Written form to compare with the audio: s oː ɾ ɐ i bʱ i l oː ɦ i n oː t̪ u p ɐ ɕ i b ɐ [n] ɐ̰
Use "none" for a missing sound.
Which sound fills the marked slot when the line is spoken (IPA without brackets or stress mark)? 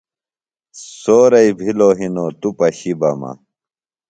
m